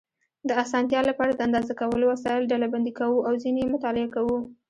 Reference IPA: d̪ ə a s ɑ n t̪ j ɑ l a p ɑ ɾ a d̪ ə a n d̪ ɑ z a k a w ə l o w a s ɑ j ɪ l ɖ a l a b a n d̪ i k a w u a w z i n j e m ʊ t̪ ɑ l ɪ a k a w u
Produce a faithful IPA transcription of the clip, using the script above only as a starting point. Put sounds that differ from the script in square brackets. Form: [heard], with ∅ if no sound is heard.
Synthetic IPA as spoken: d̪ ə a s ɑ n t̪ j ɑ l a p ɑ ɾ a d̪ ə a n d̪ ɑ z a k a w ə l o w a s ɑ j ɪ l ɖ a l a b a n d̪ i k a w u a w z i n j e m ʊ t̪ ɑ l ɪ a k a w u